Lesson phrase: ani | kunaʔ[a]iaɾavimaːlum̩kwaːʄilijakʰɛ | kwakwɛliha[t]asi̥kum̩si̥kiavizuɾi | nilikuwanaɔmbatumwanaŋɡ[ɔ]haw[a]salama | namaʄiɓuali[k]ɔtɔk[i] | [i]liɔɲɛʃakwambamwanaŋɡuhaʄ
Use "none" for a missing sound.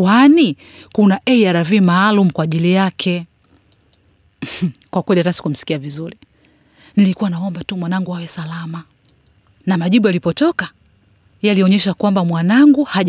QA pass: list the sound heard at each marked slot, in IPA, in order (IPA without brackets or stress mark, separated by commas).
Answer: ɛ, t, u, ɛ, p, a, a